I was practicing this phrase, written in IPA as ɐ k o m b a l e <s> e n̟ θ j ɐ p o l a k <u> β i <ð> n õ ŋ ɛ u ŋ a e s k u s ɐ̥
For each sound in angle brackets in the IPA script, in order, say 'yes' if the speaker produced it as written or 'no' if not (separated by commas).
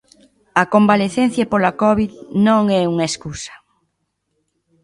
no, no, yes